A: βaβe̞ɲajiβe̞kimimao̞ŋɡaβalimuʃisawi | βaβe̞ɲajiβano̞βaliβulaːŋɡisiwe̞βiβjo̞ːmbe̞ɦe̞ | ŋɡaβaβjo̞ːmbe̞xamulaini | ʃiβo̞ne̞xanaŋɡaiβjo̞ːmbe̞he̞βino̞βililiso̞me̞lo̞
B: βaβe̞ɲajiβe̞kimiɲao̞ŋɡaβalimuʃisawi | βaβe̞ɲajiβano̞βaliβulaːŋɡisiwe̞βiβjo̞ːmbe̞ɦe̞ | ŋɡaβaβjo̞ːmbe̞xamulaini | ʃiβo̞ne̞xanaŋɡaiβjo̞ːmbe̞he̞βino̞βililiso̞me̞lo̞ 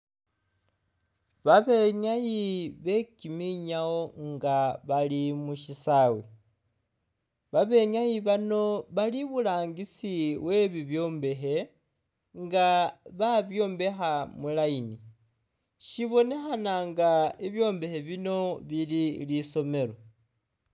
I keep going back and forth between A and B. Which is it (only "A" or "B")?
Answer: B